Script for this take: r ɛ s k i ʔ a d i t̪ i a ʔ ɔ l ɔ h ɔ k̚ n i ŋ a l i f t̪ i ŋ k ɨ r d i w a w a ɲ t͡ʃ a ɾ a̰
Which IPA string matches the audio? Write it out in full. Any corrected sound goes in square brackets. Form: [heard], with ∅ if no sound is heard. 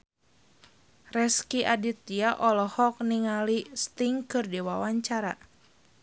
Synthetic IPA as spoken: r ɛ s k i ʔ a d i t̪ i a ʔ ɔ l ɔ h ɔ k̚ n i ŋ a l i [s] t̪ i ŋ k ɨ r d i w a w a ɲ t͡ʃ a ɾ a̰